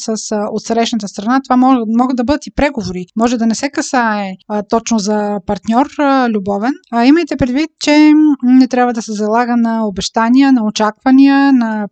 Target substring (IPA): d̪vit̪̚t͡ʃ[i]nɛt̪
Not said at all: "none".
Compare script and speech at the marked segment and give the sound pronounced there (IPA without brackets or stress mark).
ɛ